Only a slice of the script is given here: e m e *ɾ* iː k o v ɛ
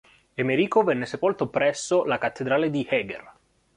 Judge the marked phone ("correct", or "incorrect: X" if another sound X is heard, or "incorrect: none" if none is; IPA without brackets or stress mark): correct